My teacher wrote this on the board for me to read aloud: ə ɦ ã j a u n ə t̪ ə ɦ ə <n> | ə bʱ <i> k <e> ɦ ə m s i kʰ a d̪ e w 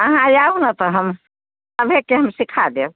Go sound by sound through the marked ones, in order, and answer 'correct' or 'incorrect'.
incorrect, incorrect, correct

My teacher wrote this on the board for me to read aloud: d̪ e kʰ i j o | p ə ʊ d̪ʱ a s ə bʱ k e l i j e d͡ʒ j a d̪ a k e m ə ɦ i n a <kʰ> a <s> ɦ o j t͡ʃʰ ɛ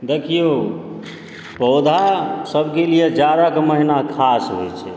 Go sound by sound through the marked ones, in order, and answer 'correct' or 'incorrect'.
correct, correct

